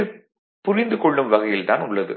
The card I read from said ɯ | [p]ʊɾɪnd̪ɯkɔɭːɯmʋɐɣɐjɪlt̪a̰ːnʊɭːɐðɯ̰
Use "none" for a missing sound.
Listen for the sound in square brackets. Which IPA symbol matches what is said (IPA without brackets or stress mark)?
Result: p